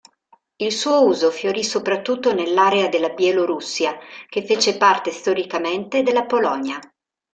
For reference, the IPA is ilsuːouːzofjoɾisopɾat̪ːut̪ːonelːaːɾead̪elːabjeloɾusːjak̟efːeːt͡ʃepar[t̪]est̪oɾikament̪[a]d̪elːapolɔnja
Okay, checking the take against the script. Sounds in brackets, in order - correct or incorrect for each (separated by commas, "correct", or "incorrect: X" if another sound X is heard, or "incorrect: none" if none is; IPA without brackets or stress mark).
correct, incorrect: e